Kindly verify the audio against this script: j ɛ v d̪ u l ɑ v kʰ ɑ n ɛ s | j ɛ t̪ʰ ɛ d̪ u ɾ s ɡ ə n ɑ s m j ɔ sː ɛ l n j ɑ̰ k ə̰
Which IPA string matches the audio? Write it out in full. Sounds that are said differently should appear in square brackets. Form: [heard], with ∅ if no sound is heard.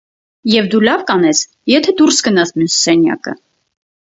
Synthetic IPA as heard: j ɛ v d̪ u l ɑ v [k] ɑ n ɛ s | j ɛ t̪ʰ ɛ d̪ u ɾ s ɡ ə n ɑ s m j [u] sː ɛ [∅] n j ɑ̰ k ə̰